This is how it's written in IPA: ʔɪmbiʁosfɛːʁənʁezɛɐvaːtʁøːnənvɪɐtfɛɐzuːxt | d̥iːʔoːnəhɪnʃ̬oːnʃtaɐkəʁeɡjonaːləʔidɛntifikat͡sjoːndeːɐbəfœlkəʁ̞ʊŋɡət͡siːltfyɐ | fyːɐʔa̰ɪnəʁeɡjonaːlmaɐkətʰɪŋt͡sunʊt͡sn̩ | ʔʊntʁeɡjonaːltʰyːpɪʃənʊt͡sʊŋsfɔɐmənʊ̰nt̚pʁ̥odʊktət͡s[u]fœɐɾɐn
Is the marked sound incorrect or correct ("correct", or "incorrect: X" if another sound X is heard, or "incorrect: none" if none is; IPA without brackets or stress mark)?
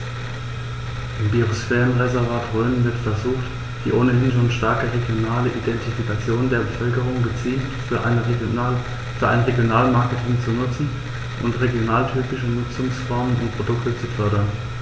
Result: correct